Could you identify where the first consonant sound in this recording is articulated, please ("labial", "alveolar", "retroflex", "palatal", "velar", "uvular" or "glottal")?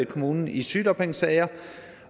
velar